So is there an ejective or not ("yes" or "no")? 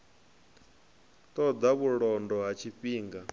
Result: no